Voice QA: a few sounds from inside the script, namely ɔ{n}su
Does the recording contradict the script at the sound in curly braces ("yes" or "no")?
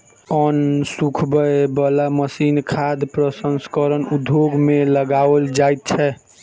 no